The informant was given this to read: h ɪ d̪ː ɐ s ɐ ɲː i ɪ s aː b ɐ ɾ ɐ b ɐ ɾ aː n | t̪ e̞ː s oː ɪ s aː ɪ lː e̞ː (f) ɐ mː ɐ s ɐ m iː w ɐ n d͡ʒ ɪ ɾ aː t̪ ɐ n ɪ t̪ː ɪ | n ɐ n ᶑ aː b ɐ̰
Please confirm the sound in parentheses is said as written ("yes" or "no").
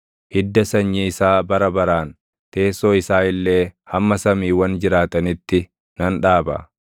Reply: no